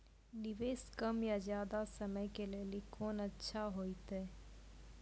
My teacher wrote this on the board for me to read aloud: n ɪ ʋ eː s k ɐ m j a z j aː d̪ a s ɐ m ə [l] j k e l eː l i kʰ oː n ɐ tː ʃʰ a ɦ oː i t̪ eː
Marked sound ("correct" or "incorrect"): incorrect